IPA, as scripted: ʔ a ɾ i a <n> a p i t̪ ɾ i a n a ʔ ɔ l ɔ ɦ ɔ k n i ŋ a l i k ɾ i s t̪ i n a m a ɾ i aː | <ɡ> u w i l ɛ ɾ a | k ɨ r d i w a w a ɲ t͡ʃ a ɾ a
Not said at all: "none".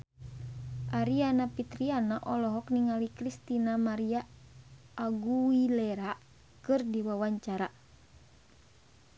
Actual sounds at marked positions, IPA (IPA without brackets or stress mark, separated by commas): n, ɡ